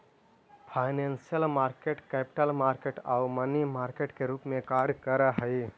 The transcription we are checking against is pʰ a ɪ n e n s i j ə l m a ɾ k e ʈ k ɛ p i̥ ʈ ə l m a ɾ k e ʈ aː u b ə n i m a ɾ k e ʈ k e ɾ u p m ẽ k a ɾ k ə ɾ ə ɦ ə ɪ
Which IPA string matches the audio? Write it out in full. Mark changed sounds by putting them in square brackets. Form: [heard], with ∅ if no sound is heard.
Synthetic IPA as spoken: pʰ a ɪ n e n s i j ə l m a ɾ k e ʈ k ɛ p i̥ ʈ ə l m a ɾ k e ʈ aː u [m] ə n i m a ɾ k e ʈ k e ɾ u p m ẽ k a ɾ k ə ɾ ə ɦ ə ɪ